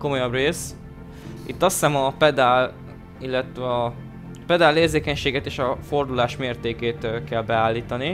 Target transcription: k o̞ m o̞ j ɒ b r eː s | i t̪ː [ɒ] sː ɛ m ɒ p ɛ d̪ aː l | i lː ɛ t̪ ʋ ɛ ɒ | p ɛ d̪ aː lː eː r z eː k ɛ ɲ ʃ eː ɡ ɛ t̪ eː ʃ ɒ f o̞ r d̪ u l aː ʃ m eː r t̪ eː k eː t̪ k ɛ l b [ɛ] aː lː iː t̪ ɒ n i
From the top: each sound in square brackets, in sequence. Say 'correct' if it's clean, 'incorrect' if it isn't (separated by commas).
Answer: correct, correct